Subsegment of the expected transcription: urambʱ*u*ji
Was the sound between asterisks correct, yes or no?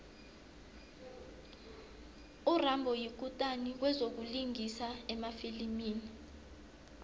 no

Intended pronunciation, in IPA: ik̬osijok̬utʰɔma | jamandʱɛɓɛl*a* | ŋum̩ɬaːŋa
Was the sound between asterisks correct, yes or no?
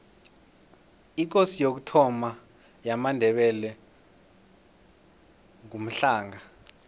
no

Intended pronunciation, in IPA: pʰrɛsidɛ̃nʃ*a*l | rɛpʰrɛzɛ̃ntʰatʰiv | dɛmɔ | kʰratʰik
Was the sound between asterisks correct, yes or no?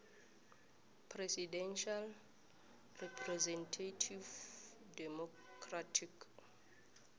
yes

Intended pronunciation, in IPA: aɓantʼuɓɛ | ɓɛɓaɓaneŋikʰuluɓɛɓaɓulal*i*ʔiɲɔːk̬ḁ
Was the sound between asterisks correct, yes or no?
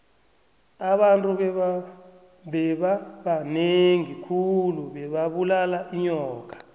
no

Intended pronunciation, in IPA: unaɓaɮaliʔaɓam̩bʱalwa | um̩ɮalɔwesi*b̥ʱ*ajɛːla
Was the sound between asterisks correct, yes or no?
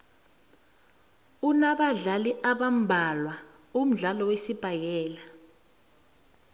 yes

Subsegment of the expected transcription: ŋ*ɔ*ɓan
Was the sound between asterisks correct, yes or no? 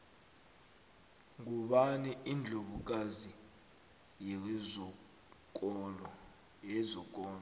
no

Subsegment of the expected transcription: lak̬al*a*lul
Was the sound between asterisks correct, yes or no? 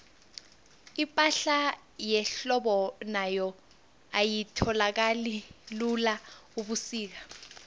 no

